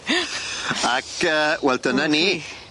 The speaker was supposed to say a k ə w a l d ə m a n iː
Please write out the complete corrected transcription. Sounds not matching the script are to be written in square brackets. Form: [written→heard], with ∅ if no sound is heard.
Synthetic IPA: a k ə w [a→ɛ] l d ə [m→n] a n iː